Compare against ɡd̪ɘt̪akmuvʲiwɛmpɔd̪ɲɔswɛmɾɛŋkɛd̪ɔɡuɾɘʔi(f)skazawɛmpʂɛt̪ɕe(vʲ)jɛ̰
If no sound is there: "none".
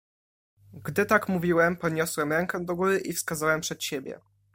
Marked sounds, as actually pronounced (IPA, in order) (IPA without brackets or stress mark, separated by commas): f, bʲ